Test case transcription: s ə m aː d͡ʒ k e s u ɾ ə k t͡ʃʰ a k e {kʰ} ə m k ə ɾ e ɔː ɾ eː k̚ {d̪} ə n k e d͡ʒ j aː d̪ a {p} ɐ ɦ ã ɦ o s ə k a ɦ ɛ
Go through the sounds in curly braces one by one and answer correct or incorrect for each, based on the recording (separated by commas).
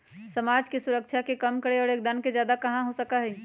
incorrect, correct, incorrect